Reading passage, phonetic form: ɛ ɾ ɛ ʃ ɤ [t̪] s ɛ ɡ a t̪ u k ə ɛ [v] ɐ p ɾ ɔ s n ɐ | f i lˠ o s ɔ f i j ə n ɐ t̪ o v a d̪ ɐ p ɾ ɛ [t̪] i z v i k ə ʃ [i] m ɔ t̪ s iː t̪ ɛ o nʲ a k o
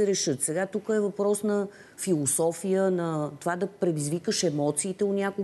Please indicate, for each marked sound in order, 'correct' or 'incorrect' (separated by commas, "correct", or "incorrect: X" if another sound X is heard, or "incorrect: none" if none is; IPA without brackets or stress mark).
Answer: correct, correct, incorrect: d̪, incorrect: ɛ